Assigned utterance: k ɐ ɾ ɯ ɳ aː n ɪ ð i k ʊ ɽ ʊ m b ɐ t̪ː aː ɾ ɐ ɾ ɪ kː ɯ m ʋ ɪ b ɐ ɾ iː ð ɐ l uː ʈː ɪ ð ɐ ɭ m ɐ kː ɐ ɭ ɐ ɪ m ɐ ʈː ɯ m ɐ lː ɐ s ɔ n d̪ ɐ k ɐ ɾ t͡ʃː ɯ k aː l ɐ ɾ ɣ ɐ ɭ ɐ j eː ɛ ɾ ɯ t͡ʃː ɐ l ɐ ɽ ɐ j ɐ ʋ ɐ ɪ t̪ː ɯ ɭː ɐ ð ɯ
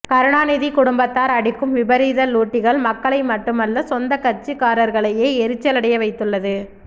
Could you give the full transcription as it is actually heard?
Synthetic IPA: k ɐ ɾ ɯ ɳ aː n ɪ ð i k ʊ ɽ ʊ m b ɐ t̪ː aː ɾ ɐ ɽ ɪ kː ɯ m ʋ ɪ b ɐ ɾ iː ð ɐ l uː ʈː ɪ ɣ ɐ ɭ m ɐ kː ɐ ɭ ɐ ɪ m ɐ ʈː ɯ m ɐ lː ɐ s ɔ n d̪ ɐ k ɐ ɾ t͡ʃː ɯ k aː ɾ ɐ ɾ ɣ ɐ ɭ ɐ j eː ɛ ɾ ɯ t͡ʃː ɐ l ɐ ɽ ɐ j ɐ ʋ ɐ ɪ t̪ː ɯ ɭː ɐ ð ɯ